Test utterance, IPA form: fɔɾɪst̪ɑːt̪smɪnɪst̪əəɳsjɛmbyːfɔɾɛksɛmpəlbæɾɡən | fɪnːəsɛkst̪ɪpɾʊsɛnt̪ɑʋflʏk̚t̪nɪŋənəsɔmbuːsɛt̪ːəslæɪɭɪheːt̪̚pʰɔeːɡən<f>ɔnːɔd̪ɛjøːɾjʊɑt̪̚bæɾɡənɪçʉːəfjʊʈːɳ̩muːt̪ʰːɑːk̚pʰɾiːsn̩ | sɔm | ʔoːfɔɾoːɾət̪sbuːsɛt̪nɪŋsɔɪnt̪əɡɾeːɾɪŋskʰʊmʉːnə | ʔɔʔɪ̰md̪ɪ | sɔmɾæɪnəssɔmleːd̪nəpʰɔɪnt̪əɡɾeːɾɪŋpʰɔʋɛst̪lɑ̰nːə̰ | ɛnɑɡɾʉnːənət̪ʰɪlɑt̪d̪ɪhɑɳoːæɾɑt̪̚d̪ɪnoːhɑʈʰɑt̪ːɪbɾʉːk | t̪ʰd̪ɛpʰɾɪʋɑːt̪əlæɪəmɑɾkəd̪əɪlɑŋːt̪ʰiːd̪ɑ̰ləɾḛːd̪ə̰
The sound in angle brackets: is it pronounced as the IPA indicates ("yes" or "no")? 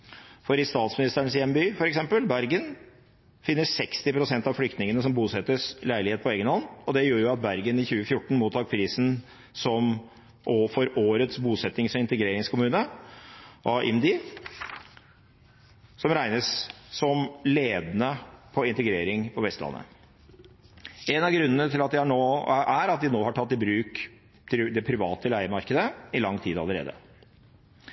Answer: no